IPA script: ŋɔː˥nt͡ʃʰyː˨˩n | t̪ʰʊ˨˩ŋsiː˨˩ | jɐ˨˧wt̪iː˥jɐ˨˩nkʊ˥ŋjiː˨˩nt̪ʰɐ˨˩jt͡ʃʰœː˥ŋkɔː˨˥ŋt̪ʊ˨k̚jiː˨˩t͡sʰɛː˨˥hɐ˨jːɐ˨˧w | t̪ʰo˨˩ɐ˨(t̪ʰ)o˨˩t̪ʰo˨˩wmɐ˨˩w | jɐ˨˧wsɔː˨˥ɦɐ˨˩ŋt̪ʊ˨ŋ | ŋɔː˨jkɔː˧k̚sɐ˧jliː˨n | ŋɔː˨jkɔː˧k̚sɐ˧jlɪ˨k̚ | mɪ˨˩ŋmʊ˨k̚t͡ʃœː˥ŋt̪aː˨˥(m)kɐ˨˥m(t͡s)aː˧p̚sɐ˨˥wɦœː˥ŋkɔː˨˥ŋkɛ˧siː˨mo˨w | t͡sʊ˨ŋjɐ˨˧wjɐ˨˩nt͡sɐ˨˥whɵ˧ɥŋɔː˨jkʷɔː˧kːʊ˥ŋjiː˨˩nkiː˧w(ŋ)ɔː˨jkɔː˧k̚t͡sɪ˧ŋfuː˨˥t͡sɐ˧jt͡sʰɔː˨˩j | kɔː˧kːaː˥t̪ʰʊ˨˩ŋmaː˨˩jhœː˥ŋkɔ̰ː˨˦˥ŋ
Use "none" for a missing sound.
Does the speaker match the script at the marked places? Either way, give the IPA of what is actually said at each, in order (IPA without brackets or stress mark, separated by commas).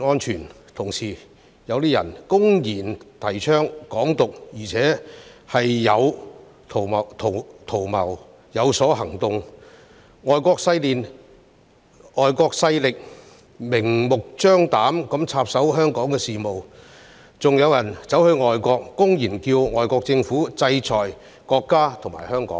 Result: t̪ʰ, m, t͡sʰ, ŋ